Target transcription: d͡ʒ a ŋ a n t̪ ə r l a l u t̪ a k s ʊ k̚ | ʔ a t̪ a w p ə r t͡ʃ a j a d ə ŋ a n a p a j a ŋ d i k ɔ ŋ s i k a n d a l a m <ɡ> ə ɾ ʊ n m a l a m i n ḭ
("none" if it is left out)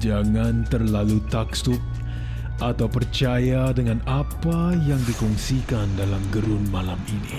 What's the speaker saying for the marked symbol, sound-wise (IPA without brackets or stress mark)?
ɡ